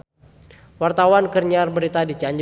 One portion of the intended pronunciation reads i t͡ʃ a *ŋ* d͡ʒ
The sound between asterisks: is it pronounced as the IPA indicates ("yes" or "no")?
no